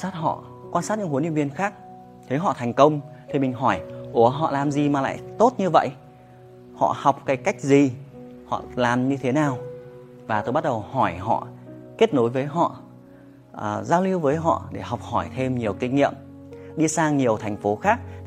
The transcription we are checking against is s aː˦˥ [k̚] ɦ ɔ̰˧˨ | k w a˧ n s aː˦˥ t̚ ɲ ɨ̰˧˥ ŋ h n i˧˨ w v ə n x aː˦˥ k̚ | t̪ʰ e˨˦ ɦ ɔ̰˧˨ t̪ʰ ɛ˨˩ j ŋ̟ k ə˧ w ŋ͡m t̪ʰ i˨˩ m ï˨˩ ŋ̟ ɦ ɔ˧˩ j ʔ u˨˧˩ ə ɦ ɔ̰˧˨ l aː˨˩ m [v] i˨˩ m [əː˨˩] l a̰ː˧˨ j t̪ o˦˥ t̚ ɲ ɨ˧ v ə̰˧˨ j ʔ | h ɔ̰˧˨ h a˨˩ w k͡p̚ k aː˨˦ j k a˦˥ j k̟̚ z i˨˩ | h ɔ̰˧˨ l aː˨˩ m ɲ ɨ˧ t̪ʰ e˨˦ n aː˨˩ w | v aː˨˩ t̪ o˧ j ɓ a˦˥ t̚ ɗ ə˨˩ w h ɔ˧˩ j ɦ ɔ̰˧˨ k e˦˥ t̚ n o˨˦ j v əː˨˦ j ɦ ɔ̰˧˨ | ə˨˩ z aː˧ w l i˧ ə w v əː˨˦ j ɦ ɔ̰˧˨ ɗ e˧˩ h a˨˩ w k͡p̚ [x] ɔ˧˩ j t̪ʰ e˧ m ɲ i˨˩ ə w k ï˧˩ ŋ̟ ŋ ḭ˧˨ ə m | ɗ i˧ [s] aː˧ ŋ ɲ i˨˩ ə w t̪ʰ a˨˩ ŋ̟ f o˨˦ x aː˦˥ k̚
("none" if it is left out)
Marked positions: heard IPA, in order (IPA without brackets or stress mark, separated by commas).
t̚, z, aː˨˩, h, s